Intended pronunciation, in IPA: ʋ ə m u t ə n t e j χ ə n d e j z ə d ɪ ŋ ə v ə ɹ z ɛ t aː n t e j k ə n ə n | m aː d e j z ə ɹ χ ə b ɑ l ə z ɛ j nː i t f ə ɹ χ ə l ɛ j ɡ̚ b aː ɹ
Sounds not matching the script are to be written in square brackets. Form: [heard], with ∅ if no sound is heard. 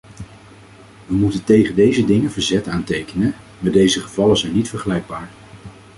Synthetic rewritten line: ʋ ə m u t ə n t e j χ ə n d e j z ə d ɪ ŋ ə v ə ɹ z ɛ t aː n t e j k ə n ə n | m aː d e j z ə [∅] χ ə [v] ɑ l ə z ɛ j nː i t f ə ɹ χ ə l ɛ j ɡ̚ b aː ɹ